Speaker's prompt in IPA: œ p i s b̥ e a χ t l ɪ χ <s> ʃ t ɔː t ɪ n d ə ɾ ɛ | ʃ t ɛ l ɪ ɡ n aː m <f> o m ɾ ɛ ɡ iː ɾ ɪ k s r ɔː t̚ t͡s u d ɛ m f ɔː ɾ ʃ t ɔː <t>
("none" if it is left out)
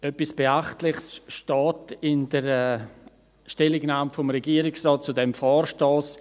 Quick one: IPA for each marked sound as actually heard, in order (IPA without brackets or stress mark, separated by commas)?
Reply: s, f, s